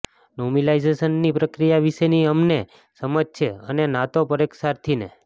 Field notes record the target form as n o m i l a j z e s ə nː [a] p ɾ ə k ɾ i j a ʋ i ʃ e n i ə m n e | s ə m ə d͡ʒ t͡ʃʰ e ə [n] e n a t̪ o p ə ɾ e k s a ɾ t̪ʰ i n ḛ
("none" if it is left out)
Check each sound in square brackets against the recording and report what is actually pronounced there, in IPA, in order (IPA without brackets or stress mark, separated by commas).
i, n